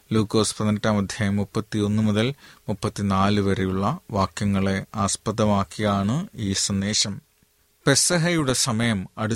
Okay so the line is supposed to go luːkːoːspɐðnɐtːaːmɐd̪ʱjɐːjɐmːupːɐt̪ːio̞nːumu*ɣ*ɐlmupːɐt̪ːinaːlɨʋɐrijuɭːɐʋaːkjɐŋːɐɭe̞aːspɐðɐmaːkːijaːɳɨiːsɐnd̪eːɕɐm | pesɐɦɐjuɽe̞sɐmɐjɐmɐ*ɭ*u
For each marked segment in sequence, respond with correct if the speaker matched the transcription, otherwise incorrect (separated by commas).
incorrect, incorrect